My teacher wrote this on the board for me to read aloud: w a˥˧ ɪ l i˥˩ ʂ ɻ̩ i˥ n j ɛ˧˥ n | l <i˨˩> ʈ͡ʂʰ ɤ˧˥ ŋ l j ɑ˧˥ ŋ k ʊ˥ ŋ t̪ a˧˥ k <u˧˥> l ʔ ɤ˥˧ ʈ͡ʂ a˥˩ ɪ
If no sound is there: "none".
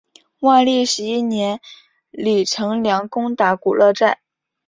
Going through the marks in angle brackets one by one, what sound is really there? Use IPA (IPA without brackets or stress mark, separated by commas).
i˨˩, u˨˩